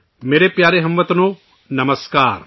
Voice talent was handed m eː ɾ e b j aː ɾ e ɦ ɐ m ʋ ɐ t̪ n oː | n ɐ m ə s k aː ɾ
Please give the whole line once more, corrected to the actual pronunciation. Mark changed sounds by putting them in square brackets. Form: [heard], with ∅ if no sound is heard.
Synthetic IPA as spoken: m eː ɾ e [p] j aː ɾ e ɦ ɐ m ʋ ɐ t̪ n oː | n ɐ m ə s k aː ɾ